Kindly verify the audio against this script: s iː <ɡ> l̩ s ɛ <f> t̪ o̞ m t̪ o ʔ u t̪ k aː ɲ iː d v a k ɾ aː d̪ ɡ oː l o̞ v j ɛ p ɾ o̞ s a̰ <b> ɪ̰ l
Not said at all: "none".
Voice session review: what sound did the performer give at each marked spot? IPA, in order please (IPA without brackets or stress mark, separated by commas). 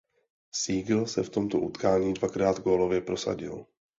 ɡ, f, ɟ